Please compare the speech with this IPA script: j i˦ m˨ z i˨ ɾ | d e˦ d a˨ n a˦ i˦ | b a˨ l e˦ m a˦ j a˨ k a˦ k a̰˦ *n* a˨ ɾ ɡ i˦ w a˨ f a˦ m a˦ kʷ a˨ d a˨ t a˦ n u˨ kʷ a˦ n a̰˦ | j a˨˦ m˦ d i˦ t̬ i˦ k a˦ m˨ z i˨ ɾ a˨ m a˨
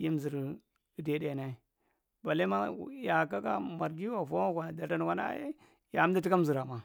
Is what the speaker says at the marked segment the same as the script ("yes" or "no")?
no